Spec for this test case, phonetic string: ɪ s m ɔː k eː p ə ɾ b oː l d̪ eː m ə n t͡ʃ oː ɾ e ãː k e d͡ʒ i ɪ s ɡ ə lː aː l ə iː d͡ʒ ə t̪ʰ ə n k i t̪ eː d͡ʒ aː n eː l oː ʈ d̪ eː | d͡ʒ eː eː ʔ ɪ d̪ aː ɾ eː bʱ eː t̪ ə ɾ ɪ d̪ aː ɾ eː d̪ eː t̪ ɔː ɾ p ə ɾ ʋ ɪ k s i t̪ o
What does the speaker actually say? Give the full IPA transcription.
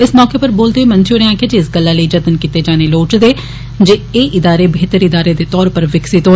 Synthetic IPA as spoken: ɪ s m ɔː k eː p ə ɾ b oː l d̪ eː m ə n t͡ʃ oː ɾ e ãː k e d͡ʒ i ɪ s ɡ ə lː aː l ə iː d͡ʒ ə t̪ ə n k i t̪ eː d͡ʒ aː n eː l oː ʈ d̪ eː | d͡ʒ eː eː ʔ ɪ d̪ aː ɾ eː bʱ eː t̪ ə ɾ ɪ d̪ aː ɾ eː d̪ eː t̪ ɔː ɾ p ə ɾ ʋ ɪ k s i t̪ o